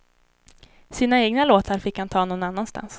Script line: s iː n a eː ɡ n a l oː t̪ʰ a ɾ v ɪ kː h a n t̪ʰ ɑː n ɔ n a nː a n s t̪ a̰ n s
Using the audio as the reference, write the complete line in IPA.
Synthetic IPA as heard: s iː n a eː ɡ n a l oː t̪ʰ a ɾ f ɪ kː h a n t̪ʰ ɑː n ɔ n a nː a n s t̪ a̰ n s